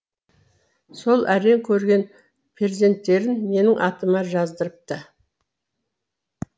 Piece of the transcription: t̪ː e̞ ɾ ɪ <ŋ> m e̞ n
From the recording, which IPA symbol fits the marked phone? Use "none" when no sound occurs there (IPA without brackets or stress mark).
n